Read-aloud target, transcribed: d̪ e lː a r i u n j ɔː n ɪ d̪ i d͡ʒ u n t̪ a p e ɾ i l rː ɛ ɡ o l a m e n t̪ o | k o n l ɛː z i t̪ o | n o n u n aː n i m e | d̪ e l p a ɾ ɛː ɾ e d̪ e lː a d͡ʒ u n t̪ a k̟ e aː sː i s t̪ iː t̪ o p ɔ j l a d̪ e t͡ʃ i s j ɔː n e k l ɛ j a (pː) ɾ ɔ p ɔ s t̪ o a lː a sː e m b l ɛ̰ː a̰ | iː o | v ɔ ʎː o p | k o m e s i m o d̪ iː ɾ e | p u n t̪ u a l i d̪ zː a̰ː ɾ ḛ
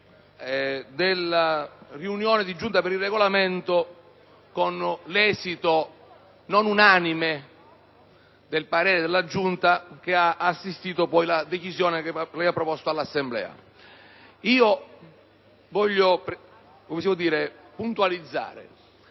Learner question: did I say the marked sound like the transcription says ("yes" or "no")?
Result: yes